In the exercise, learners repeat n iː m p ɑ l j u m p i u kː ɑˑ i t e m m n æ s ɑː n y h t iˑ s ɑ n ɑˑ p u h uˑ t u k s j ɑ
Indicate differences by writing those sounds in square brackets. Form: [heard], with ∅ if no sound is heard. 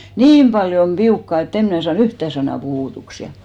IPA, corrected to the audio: n iː m p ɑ l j [o] m p i u kː ɑˑ [e] t e m m n æ s ɑː n y h t [æˑ] s ɑ n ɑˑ p u h uˑ t u k s j ɑ